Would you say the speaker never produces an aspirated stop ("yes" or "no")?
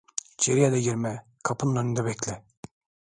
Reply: no